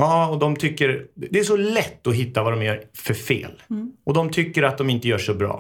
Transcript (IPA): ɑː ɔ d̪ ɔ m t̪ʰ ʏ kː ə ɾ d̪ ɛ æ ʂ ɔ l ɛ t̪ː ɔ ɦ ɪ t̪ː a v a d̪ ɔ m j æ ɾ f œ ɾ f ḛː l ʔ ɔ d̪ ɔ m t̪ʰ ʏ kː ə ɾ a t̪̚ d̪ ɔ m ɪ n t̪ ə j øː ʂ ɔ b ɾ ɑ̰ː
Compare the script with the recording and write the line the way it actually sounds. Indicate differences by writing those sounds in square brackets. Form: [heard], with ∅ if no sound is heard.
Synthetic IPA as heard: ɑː ɔ d̪ ɔ m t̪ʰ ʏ kː ə ɾ d̪ ɛ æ ʂ ɔ l ɛ t̪ː ɔ ɦ ɪ t̪ː a v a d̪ ɔ m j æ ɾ f œ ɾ f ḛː l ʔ ɔ d̪ ɔ m t̪ʰ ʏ kː ə ɾ a t̪̚ d̪ ɔ m ɪ n t̪ ə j [œː] ʂ ɔ b ɾ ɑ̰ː